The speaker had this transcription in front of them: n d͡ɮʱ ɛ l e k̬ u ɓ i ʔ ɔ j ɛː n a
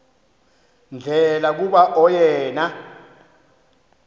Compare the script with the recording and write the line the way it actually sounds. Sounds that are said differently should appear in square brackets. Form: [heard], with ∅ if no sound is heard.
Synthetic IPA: n d͡ɮʱ ɛ l [a] k̬ u ɓ [a] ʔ ɔ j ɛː n a